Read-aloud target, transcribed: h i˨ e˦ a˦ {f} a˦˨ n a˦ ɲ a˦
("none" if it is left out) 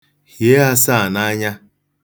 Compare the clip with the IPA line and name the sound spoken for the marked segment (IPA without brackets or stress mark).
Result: s